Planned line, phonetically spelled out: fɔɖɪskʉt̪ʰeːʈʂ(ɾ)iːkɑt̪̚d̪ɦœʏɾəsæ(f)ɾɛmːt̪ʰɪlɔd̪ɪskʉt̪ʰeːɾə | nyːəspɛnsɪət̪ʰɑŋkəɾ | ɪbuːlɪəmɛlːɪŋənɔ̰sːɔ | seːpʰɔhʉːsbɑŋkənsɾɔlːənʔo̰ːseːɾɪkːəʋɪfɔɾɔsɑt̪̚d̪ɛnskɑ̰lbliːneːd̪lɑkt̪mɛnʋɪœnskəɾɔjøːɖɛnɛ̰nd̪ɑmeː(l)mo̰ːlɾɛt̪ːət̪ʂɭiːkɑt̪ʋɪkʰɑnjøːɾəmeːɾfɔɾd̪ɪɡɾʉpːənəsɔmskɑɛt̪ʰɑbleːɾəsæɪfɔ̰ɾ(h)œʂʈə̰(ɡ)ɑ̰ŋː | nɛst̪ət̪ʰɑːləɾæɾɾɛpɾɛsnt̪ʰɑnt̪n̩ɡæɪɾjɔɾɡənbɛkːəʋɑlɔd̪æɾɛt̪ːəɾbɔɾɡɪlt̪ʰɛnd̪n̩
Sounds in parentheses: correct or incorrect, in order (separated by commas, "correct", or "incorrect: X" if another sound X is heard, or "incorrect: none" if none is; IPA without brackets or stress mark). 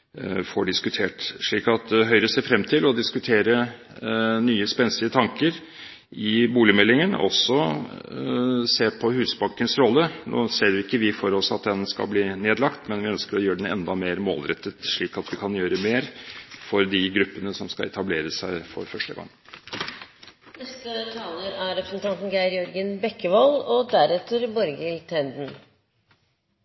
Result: incorrect: ɭ, correct, incorrect: ɾ, incorrect: f, correct